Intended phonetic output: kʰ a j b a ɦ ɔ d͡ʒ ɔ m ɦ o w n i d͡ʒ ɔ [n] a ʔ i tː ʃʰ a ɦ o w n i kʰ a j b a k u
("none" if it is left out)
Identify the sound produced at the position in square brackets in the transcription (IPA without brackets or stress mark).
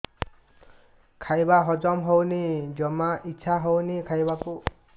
m